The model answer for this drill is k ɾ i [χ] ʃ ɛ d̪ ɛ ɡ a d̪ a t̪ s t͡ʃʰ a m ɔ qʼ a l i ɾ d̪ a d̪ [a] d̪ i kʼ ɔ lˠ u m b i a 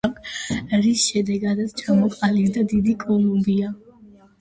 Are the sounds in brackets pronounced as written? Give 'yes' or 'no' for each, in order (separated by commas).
no, no